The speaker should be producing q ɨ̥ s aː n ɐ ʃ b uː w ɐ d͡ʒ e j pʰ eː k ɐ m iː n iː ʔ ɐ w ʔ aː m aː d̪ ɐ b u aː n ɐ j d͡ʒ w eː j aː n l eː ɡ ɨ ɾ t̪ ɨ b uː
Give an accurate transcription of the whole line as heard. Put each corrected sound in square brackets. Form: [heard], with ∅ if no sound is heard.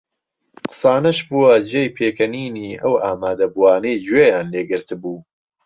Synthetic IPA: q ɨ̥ s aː n ɐ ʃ b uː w ɐ d͡ʒ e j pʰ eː k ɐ [n] iː n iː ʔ ɐ w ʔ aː m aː d̪ ɐ b u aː n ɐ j d͡ʒ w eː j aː n l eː ɡ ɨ ɾ t̪ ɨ b uː